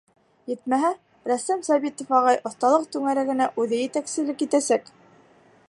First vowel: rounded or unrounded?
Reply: unrounded